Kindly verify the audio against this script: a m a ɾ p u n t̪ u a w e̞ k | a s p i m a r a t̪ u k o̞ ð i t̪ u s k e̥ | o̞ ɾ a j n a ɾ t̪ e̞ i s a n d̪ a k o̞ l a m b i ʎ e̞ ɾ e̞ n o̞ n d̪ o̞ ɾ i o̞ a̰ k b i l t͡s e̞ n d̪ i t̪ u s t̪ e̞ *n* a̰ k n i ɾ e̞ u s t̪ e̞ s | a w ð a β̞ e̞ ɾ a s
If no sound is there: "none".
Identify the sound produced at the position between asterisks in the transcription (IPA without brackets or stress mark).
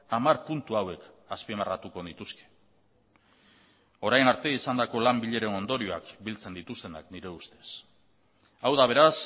n